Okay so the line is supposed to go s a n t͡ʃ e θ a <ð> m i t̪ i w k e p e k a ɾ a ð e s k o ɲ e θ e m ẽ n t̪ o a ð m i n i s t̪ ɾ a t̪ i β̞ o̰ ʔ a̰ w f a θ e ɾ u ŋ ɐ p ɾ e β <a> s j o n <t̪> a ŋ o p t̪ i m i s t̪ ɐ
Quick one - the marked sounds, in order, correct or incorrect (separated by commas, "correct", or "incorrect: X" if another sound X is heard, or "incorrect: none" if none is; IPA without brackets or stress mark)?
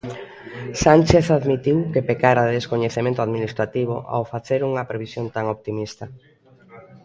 correct, incorrect: i, correct